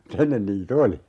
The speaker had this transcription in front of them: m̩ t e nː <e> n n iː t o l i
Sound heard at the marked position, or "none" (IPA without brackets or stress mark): e